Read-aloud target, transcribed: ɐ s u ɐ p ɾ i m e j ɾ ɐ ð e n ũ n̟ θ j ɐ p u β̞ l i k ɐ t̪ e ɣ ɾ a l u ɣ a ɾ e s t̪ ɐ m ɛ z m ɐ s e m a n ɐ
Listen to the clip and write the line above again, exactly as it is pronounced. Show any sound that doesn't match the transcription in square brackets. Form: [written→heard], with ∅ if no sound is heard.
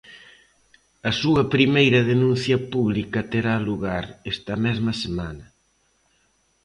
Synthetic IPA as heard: ɐ s u ɐ p ɾ i m e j ɾ ɐ ð e n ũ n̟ θ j ɐ p u β̞ l i k ɐ t̪ e [ɣ→∅] ɾ a l u ɣ a ɾ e s t̪ ɐ m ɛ z m ɐ s e m a n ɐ